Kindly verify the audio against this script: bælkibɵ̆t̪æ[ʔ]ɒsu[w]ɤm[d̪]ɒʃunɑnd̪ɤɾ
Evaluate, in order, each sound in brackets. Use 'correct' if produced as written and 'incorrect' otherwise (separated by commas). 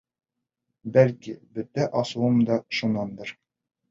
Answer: correct, correct, correct